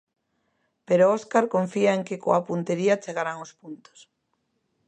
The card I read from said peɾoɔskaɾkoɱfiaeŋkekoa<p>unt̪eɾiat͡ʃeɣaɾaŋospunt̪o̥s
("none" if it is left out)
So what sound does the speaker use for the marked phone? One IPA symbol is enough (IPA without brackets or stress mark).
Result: p